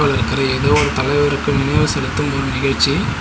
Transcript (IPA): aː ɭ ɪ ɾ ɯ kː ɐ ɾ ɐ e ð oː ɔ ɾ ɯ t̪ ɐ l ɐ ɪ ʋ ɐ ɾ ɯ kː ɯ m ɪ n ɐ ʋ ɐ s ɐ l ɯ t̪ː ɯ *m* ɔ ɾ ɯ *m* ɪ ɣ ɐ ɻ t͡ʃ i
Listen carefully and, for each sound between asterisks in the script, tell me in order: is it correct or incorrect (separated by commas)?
correct, incorrect